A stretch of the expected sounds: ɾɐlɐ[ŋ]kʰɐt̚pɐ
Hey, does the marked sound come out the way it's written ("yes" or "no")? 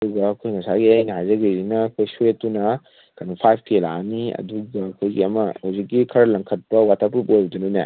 yes